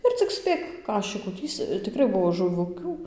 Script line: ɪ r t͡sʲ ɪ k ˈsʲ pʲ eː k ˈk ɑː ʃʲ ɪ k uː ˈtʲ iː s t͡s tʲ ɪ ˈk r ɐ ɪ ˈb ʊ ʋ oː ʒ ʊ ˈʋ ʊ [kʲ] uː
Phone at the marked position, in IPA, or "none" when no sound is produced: kʲ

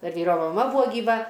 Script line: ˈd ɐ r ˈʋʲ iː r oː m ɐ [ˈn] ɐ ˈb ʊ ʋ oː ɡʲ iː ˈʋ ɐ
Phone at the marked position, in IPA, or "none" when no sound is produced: m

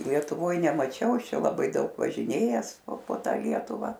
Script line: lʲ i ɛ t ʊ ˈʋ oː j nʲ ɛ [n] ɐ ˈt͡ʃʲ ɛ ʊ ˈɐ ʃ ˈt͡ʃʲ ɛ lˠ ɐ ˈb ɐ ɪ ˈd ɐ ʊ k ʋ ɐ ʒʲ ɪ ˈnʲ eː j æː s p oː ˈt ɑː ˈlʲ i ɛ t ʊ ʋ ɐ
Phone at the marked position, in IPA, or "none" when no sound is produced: m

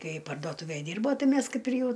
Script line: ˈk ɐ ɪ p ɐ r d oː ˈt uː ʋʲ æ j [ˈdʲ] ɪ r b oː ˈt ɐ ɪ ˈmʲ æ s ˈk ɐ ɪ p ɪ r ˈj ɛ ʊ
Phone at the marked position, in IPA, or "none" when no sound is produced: dʲ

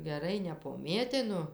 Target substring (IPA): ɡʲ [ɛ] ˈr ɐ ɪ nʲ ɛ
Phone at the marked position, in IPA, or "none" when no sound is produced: ɛ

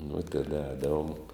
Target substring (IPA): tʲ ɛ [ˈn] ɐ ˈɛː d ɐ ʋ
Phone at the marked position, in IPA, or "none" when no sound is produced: d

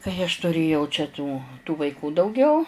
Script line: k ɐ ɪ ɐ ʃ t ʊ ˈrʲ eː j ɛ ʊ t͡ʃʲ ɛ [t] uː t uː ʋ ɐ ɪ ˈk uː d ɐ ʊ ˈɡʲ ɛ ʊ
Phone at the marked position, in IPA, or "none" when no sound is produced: t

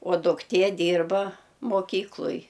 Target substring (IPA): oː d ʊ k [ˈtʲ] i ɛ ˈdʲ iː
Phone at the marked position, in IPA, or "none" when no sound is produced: tʲ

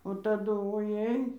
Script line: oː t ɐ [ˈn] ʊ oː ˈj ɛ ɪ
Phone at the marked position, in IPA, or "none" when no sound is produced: d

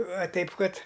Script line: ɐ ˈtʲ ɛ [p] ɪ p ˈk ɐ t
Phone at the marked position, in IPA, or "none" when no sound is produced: none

